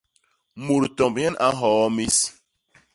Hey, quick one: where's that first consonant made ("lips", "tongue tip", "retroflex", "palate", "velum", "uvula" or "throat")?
lips